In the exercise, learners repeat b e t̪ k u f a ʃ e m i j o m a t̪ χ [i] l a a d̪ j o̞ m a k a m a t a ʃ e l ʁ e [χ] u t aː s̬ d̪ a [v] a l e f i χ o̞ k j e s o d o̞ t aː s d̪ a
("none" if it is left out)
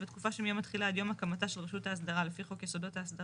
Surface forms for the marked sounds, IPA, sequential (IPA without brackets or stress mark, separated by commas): i, ʃ, ʁ